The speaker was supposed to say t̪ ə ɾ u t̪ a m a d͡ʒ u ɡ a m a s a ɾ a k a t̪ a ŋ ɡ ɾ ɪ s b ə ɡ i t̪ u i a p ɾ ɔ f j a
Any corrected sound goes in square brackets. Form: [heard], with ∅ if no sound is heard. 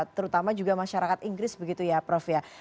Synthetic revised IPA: t̪ ə ɾ u t̪ a m a d͡ʒ u ɡ a m a [ʃ] a ɾ a k a t̪ [i] ŋ ɡ ɾ ɪ s b ə ɡ i t̪ u [j] a p ɾ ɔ f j a